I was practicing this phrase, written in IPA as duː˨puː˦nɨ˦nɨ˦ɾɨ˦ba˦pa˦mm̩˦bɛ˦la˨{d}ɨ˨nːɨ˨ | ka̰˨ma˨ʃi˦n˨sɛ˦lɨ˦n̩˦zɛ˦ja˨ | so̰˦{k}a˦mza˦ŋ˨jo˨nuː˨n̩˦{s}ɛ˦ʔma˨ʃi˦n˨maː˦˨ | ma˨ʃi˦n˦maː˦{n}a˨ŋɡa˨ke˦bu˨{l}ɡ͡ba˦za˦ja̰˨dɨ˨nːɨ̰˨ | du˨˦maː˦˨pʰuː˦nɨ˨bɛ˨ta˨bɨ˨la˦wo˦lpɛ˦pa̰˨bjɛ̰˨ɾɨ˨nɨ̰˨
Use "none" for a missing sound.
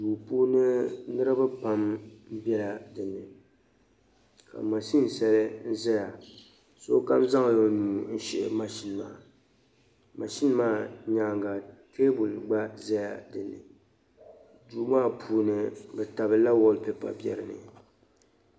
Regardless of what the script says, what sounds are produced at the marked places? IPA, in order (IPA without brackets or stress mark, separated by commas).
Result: d, k, ʃ, ɲ, l